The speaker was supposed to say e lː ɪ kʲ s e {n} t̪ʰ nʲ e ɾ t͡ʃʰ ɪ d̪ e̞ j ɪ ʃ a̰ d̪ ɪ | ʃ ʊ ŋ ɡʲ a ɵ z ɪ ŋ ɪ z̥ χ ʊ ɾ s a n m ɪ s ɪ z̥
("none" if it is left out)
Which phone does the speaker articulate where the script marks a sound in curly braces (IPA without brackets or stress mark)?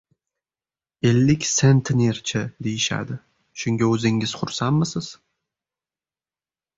n